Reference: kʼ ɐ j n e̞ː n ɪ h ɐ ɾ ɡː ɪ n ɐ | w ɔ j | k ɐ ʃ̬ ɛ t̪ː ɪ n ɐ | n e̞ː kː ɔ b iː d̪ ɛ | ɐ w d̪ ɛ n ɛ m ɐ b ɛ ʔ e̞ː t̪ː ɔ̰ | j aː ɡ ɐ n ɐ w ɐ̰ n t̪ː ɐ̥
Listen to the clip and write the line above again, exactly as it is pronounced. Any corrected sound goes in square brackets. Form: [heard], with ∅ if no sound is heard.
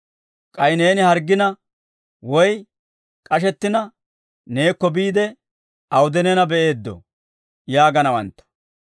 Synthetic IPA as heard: kʼ ɐ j n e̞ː n ɪ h ɐ ɾ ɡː ɪ n ɐ | w ɔ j | [kʼ] ɐ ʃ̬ ɛ t̪ː ɪ n ɐ | n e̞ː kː ɔ b iː d̪ ɛ | ɐ w d̪ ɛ n ɛ [n] ɐ b ɛ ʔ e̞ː [d̪ː] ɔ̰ | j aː ɡ ɐ n ɐ w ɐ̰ n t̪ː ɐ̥